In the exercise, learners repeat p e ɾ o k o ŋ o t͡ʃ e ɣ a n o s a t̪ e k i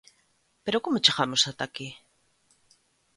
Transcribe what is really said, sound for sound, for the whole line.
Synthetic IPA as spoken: p e ɾ o k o m o t͡ʃ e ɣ a m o s a t̪ a k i